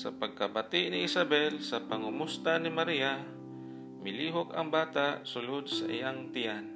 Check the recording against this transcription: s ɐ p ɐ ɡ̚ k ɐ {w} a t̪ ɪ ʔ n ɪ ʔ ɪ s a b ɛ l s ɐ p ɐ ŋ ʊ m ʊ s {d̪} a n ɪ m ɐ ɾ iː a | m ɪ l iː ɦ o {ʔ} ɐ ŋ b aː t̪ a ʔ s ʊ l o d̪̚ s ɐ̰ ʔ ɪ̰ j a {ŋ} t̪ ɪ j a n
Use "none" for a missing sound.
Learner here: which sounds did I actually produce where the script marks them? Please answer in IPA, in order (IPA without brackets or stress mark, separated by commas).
b, t̪, k, ŋ